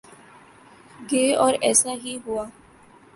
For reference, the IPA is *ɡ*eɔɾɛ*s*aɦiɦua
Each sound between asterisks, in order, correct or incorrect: correct, correct

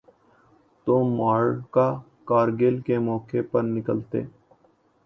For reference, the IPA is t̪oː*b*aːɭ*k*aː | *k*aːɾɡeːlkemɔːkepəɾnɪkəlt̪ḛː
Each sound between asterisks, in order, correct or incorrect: incorrect, correct, correct

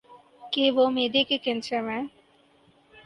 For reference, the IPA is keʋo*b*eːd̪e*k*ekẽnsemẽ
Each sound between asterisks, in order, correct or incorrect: incorrect, correct

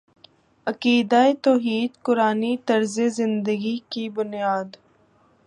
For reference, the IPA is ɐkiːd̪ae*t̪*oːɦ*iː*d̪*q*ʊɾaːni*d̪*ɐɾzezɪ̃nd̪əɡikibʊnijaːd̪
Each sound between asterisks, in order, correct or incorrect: correct, correct, incorrect, incorrect

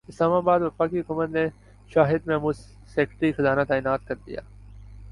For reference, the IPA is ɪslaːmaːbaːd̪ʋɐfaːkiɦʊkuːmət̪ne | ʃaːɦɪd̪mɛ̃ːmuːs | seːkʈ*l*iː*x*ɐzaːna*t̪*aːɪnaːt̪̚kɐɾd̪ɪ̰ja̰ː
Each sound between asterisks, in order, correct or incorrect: incorrect, correct, correct

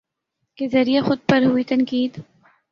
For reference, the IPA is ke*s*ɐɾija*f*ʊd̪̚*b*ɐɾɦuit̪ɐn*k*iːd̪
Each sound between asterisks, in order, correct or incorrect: incorrect, incorrect, incorrect, correct

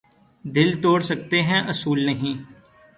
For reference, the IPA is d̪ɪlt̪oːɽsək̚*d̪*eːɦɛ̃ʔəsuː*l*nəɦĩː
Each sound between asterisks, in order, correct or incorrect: incorrect, correct

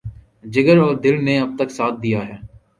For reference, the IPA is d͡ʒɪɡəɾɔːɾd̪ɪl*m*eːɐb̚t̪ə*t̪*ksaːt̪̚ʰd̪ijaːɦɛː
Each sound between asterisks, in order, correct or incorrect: incorrect, incorrect

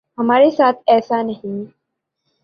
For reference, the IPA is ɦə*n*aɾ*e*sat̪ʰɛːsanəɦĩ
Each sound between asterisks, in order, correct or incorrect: incorrect, correct

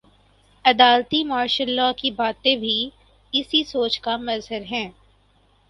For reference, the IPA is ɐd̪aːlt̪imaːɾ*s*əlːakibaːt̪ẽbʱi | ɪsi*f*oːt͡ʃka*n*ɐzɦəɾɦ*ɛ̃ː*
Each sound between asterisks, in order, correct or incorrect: incorrect, incorrect, incorrect, correct

